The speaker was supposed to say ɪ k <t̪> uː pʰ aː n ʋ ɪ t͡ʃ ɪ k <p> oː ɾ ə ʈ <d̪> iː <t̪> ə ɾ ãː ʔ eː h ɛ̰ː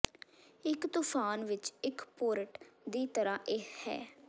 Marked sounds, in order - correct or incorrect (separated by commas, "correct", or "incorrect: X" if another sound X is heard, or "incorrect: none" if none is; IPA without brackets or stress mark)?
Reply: correct, correct, correct, correct